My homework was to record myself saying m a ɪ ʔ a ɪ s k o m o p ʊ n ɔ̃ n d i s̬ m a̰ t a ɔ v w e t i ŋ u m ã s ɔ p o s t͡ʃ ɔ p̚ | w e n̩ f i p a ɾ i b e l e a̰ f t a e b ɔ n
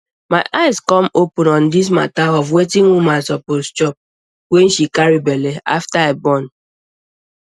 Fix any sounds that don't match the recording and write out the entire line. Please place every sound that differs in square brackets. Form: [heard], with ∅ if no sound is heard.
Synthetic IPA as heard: m a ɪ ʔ a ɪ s k [ɔ] m o p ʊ n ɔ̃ n d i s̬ m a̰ t a ɔ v w e t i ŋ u m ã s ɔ p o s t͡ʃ ɔ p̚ | w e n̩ [ʃ] i [k] a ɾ i b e l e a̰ f t a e b ɔ n